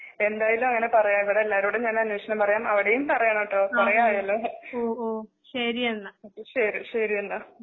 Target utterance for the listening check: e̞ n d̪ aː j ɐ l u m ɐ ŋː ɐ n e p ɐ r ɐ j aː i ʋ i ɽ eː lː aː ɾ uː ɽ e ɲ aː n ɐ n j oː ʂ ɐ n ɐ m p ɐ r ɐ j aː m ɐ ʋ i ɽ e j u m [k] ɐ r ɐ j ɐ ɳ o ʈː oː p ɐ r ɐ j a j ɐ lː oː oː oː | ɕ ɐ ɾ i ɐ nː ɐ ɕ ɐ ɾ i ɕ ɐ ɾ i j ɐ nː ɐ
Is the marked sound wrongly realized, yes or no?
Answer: yes